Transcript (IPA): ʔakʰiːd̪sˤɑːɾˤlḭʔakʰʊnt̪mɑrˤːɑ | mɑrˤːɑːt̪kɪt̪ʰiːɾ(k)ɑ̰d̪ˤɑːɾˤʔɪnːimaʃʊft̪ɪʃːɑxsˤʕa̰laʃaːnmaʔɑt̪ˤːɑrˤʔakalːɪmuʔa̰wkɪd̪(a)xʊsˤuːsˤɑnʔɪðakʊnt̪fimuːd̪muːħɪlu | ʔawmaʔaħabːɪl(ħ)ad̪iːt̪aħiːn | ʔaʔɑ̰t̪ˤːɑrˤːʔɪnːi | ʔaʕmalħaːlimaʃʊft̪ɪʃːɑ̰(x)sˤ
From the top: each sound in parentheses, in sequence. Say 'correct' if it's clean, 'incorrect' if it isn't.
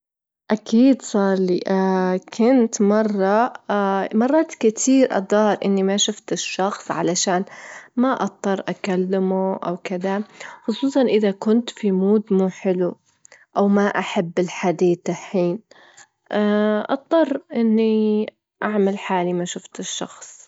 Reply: incorrect, correct, correct, correct

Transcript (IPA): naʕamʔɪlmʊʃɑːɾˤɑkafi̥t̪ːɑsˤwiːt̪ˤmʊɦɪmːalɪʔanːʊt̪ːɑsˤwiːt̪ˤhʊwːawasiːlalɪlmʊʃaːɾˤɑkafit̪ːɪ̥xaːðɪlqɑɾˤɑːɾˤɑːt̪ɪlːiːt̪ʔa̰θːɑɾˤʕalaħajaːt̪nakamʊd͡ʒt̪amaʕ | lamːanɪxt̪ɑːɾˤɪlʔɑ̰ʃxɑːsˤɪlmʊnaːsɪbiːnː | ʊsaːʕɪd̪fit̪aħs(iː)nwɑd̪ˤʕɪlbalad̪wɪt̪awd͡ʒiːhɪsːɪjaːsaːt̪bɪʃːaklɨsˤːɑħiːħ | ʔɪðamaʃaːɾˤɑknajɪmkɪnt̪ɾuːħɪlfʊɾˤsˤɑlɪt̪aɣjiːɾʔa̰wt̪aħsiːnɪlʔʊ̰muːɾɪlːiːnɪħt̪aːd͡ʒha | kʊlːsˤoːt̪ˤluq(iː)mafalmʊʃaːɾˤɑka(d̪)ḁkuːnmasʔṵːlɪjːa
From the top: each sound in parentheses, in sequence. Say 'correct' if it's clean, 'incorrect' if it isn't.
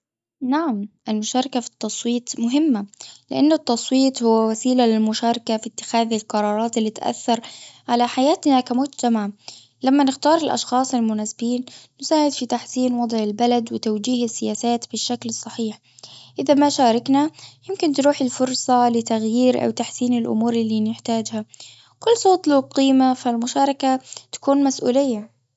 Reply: correct, correct, incorrect

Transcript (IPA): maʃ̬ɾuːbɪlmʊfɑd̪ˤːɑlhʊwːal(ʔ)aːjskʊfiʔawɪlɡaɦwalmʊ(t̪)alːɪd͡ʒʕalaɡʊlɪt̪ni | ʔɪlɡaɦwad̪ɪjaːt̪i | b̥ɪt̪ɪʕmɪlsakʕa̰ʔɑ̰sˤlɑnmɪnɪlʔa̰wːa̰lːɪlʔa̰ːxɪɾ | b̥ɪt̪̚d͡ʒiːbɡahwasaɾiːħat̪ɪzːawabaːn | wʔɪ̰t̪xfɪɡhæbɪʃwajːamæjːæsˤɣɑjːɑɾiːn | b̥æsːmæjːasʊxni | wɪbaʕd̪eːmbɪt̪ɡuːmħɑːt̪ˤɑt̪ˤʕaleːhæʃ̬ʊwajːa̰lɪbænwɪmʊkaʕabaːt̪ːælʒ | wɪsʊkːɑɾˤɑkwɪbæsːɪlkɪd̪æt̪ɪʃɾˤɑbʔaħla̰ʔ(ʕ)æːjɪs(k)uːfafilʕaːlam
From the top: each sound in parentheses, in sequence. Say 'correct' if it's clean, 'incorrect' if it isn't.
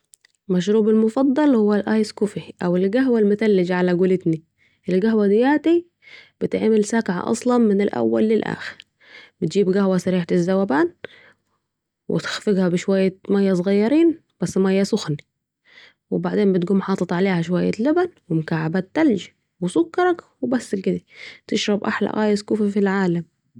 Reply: correct, correct, incorrect, correct

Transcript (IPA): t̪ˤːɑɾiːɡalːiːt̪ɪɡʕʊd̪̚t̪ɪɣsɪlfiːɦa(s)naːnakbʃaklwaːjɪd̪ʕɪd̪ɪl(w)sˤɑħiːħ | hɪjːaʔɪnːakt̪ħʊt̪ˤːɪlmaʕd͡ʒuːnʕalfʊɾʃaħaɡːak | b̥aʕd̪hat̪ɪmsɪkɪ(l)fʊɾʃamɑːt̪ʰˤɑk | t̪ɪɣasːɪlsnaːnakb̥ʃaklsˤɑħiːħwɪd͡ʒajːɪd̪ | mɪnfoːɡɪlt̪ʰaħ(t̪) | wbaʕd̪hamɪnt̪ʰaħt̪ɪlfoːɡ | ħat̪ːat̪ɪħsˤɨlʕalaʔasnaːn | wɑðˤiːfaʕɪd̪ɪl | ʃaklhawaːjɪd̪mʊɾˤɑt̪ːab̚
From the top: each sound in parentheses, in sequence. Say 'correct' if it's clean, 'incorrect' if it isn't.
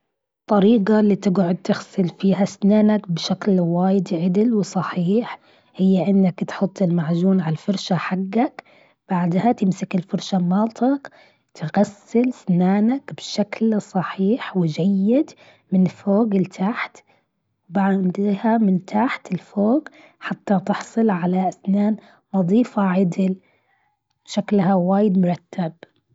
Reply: correct, correct, correct, correct

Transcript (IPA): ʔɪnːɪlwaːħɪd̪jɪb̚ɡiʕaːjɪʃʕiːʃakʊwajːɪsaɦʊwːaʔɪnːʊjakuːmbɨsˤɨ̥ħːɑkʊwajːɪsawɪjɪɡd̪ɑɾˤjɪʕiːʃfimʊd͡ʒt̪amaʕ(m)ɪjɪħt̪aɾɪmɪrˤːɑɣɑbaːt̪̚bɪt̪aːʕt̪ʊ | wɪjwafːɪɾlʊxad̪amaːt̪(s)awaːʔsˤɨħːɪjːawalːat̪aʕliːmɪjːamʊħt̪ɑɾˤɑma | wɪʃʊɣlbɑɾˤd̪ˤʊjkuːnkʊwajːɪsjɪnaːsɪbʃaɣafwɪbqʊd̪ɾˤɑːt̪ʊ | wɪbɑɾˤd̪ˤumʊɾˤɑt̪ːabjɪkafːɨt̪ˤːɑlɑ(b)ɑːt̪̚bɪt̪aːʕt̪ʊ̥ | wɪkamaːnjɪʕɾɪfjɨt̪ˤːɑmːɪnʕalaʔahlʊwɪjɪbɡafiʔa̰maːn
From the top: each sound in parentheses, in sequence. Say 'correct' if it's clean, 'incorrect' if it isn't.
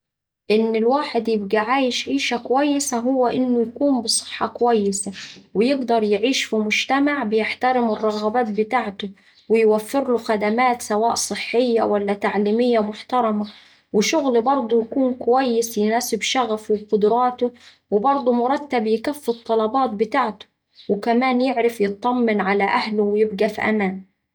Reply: incorrect, correct, correct

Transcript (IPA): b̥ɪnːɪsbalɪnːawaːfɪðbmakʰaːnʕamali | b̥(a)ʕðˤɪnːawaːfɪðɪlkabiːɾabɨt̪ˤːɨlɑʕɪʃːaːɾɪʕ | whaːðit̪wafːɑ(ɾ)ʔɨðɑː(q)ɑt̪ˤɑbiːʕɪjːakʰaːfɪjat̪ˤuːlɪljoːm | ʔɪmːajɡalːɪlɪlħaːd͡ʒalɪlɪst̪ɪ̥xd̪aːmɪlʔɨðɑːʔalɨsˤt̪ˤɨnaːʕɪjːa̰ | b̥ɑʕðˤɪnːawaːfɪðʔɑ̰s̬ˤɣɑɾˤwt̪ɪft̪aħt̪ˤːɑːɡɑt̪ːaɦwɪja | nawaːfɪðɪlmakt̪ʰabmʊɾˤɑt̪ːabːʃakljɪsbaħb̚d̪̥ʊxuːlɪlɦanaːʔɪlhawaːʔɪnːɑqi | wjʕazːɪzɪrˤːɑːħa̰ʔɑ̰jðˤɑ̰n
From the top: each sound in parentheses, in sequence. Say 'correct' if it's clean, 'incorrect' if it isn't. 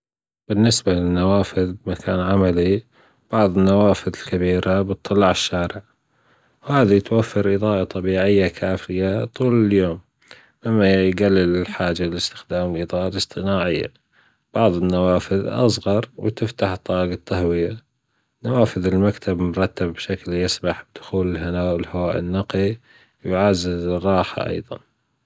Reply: incorrect, correct, incorrect

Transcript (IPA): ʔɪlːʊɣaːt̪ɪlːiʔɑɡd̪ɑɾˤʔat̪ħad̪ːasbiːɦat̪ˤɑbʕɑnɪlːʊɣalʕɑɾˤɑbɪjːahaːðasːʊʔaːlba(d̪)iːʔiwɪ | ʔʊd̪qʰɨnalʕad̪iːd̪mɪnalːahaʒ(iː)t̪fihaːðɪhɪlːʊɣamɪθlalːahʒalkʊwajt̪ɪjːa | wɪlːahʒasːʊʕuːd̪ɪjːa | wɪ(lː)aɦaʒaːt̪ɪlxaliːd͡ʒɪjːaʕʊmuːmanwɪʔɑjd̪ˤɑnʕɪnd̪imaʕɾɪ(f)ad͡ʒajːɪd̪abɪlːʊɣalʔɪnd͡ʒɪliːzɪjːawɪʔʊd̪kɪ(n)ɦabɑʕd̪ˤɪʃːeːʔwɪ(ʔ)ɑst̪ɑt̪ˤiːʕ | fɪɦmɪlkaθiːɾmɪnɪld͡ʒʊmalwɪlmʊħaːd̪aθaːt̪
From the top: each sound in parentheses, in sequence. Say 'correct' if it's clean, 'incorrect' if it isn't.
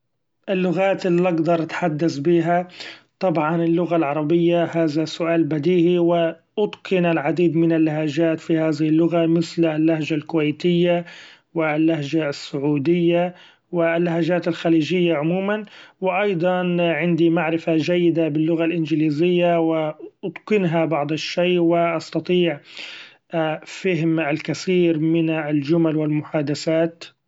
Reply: correct, incorrect, correct, correct, correct, correct

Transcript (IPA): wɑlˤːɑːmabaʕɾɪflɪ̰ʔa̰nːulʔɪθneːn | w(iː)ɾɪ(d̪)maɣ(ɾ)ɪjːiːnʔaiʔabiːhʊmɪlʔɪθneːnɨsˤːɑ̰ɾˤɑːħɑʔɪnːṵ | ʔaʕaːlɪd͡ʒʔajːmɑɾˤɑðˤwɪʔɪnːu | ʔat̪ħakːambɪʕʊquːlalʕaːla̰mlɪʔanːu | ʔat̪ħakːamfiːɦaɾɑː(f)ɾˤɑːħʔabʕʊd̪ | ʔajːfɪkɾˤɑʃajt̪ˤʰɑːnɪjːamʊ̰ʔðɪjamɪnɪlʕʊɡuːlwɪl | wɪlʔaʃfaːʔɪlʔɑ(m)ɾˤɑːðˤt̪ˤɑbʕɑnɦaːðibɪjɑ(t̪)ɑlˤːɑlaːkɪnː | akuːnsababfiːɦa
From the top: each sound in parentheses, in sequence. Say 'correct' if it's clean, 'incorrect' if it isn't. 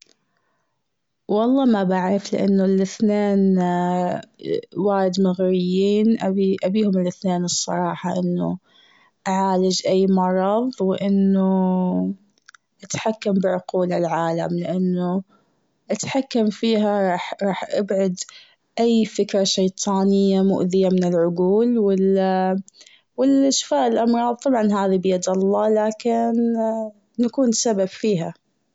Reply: incorrect, correct, correct, incorrect, correct, incorrect

